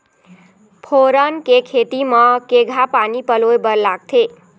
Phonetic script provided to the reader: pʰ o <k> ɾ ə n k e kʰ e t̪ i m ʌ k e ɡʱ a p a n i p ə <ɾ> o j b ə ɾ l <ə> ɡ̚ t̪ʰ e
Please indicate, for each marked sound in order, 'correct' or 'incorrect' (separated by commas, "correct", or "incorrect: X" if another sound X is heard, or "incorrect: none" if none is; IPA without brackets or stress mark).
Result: incorrect: none, incorrect: l, incorrect: a